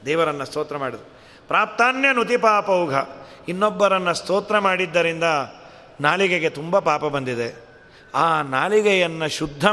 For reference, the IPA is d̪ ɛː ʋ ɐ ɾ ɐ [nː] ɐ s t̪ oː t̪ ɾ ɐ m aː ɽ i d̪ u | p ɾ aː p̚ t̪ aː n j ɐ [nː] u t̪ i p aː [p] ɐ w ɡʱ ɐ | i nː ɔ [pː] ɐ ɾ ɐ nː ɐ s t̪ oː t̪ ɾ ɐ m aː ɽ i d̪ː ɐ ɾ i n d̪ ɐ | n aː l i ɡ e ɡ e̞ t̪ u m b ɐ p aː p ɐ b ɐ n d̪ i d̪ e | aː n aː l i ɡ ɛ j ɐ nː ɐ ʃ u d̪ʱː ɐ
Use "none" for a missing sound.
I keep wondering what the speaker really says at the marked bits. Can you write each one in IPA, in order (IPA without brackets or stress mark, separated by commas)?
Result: nː, n, p, bː